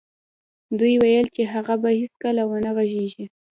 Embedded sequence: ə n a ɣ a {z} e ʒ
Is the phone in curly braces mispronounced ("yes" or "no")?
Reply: yes